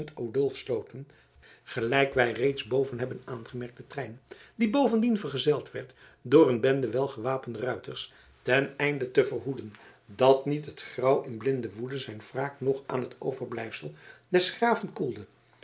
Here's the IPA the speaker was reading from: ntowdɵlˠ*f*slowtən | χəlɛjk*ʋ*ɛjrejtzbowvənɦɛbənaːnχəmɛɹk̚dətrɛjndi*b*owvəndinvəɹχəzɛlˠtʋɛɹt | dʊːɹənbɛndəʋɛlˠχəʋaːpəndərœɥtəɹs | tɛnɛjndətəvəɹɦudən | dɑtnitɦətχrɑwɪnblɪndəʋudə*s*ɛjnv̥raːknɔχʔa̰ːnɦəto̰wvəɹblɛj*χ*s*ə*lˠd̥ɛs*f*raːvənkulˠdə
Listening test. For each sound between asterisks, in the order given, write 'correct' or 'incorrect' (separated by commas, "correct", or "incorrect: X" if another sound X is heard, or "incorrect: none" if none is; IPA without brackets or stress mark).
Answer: correct, correct, correct, incorrect: z, incorrect: f, correct, incorrect: χ